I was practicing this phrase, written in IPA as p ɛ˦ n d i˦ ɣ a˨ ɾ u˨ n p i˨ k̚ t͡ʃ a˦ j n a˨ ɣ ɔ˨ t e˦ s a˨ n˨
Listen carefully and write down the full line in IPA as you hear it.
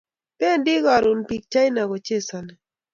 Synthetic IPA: p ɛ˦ n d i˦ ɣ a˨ ɾ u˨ n p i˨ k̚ t͡ʃ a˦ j n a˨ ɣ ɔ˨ t͡ʃ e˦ s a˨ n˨